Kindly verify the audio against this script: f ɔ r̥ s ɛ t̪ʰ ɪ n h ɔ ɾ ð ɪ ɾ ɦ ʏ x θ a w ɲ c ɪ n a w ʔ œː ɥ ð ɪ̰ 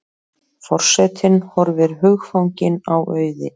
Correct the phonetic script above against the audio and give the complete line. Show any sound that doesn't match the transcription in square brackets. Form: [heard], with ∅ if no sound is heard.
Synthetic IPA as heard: f ɔ r̥ s ɛ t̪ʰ ɪ n h ɔ ɾ [v] ɪ ɾ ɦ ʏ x [f] a w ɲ c ɪ n a w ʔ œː ɥ ð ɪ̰